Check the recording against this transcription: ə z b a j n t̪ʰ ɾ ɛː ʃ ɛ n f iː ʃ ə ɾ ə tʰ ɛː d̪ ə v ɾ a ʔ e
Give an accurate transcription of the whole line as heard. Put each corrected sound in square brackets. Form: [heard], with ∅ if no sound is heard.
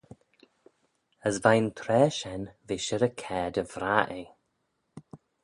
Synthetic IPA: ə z [v] a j n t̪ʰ ɾ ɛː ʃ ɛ n [v] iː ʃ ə ɾ ə [kʰ] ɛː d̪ ə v ɾ a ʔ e